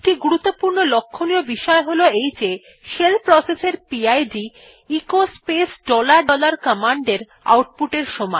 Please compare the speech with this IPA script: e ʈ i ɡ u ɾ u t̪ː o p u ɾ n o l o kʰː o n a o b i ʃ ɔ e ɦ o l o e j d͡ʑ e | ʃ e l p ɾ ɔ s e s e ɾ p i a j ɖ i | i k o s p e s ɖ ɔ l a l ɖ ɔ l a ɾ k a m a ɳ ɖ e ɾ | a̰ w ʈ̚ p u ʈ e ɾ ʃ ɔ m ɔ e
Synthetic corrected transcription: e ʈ i ɡ u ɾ u t̪ː o p u ɾ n o l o kʰː o n i o b i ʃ ɔ e ɦ o l o e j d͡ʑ e | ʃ e l p ɾ ɔ s e s e ɾ p i a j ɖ i | i k o s p e s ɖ ɔ l a ɾ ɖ ɔ l a ɾ k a m a ɳ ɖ e ɾ | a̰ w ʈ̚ p u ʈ e ɾ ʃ ɔ m ɔ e